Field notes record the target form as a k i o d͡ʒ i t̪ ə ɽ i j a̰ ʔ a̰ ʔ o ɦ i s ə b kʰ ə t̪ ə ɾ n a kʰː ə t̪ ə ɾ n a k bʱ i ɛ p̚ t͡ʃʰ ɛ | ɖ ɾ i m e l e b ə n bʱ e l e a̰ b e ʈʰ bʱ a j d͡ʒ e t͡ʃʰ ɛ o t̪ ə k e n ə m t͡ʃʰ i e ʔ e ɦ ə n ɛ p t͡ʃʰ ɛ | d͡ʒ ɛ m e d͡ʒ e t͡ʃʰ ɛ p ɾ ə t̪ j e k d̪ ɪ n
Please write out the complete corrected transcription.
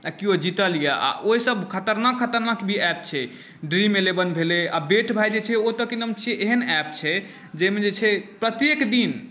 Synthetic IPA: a k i o d͡ʒ i t̪ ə l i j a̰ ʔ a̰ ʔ o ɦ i s ə b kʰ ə t̪ ə ɾ n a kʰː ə t̪ ə ɾ n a k bʱ i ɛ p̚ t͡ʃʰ ɛ | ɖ ɾ i m e l e b ə n bʱ e l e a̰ b e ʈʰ bʱ a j d͡ʒ e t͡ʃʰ ɛ o t̪ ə k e n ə m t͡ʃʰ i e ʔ e ɦ ə n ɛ p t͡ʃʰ ɛ | d͡ʒ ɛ m e d͡ʒ e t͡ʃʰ ɛ p ɾ ə t̪ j e k d̪ i n

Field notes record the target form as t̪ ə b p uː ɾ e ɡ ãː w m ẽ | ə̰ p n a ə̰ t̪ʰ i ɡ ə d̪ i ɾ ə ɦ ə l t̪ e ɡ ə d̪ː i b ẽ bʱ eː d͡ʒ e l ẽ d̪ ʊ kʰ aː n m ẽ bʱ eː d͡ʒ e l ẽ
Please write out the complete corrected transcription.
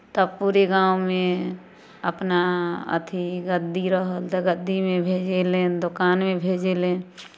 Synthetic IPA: t̪ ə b p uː ɾ e ɡ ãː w m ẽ | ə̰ p n a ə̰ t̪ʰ i ɡ ə d̪ i ɾ ə ɦ ə l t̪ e ɡ ə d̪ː i m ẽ bʱ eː d͡ʒ e l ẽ d̪ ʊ k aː n m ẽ bʱ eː d͡ʒ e l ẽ

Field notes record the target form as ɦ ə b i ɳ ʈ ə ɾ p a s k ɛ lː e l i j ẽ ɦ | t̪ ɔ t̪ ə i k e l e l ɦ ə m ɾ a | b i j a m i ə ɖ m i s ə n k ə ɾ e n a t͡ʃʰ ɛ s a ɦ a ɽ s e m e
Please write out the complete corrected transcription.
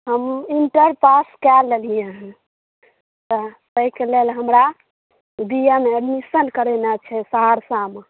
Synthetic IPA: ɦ ə m i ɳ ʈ ə ɾ p a s k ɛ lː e l i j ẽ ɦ | t̪ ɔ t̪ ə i k e l e l ɦ ə m ɾ a | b i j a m e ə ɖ m i s ə n k ə ɾ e n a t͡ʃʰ ɛ s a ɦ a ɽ s a m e

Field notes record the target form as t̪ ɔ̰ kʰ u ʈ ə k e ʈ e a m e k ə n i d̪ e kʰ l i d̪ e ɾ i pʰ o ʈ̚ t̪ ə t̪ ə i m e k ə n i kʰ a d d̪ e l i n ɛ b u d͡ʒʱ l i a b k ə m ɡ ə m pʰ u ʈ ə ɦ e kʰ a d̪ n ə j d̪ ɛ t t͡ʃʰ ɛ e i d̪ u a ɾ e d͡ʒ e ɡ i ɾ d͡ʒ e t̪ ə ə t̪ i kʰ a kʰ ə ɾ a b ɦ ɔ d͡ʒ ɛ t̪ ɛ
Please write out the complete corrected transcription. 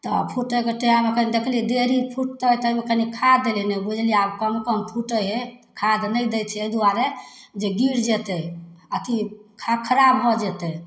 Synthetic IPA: t̪ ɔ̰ pʰ u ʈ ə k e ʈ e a m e k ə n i d̪ e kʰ l i d̪ e ɾ i pʰ u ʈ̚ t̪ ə t̪ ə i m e k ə n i kʰ a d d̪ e l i n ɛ b u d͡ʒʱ l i a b k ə m k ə m pʰ u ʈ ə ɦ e kʰ a d̪ n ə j d̪ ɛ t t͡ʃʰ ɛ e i d̪ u a ɾ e d͡ʒ e ɡ i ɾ d͡ʒ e t̪ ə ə t̪ i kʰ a kʰ ə ɾ a b ɦ ɔ d͡ʒ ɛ t̪ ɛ

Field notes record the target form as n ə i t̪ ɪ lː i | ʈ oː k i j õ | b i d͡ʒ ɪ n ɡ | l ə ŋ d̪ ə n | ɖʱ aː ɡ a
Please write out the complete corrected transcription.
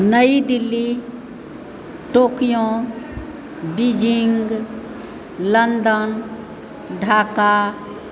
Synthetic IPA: n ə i d̪ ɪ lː i | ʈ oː k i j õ | b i d͡ʒ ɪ ŋ ɡ | l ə n d̪ ə n | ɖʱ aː k a

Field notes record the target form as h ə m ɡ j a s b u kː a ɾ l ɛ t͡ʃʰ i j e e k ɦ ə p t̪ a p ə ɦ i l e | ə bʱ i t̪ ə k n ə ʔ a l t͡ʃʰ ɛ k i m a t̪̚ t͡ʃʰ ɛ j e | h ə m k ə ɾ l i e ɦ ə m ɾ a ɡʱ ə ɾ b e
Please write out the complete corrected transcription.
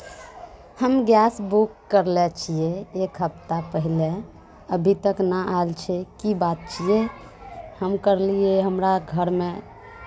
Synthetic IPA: h ə m ɡ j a s b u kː ə ɾ l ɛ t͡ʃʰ i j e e k ɦ ə p t̪ a p ə ɦ i l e | ə bʱ i t̪ ə k n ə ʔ a l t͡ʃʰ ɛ k i b a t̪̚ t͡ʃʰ i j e | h ə m k ə ɾ l i e ɦ ə m ɾ a ɡʱ ə ɾ m e

